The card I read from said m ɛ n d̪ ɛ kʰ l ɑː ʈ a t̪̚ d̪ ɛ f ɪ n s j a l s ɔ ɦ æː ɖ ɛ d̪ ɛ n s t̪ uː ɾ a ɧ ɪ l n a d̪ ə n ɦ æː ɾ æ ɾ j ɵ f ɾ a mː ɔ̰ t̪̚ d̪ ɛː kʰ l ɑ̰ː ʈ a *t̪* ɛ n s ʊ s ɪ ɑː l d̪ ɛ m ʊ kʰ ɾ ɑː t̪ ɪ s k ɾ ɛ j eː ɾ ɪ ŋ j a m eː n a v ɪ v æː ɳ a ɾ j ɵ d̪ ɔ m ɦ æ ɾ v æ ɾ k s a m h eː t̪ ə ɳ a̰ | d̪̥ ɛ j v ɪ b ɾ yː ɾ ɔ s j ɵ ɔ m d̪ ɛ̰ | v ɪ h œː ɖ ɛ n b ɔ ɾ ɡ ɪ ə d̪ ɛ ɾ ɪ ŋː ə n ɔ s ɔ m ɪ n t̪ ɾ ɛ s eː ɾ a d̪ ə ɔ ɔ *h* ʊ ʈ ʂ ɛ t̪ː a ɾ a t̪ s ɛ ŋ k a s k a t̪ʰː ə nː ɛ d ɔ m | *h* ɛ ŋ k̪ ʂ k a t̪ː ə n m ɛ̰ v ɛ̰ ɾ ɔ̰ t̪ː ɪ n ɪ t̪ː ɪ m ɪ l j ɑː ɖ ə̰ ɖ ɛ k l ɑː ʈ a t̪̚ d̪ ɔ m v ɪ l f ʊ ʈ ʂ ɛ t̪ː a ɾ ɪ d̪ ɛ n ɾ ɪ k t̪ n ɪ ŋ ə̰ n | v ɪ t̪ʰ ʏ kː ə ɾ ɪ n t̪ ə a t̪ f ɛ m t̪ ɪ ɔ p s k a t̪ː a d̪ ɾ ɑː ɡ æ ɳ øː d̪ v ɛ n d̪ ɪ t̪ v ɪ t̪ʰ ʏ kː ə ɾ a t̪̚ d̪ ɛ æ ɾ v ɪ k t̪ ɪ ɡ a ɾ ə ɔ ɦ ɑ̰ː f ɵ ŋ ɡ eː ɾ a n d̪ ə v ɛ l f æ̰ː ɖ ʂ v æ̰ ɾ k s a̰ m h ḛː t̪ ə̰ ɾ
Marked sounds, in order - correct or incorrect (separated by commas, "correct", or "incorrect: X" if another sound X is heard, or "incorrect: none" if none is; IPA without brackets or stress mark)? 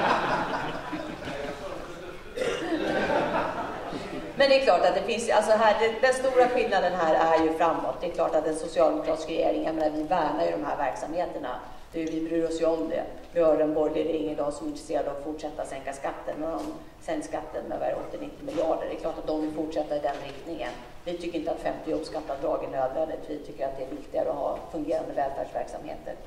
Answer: correct, incorrect: f, incorrect: s